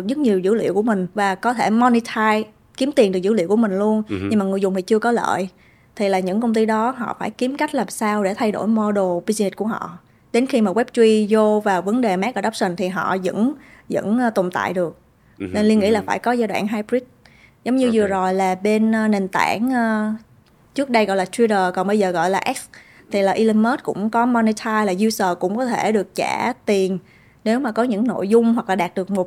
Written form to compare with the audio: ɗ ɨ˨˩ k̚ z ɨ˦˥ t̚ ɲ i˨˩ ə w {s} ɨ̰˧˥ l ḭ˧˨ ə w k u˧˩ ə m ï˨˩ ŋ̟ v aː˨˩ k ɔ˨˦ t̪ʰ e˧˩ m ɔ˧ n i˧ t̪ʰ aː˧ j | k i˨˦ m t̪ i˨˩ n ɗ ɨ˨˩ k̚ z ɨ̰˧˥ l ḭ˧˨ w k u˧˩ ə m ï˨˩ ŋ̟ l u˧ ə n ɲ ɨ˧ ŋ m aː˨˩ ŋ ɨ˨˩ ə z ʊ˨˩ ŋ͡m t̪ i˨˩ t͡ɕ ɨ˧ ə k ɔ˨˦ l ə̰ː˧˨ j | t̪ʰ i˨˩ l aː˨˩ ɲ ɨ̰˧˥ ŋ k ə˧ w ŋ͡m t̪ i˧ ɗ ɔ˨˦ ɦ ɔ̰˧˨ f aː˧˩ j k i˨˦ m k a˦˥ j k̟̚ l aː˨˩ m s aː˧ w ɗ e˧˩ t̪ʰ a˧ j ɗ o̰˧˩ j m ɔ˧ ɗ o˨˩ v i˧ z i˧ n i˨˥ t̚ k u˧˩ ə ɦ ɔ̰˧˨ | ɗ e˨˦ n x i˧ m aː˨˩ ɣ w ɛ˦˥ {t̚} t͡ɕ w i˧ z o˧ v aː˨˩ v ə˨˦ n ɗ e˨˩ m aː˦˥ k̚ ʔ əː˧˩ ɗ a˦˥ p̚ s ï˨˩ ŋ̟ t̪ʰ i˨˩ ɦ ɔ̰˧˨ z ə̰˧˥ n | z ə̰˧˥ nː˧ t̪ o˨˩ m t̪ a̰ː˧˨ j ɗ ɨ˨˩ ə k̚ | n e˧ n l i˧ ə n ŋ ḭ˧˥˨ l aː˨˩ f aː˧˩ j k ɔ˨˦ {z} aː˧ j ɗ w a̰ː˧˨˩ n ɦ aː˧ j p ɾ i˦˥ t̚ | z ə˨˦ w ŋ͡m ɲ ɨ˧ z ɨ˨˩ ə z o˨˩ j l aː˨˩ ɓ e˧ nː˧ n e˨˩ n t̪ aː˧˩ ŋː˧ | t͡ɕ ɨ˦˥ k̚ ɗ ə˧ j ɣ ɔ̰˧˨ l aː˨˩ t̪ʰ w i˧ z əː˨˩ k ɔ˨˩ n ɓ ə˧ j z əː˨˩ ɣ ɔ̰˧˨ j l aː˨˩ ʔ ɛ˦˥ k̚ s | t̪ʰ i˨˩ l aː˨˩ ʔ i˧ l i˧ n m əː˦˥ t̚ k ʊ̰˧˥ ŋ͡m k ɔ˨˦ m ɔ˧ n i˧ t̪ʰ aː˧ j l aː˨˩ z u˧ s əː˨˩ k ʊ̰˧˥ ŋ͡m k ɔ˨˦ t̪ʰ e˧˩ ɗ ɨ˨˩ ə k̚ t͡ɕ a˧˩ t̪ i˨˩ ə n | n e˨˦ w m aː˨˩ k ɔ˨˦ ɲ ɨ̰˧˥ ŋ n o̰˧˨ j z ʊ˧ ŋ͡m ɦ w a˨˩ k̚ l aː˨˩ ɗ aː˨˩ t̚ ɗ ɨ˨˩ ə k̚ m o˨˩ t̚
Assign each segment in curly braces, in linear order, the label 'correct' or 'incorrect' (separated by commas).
incorrect, incorrect, correct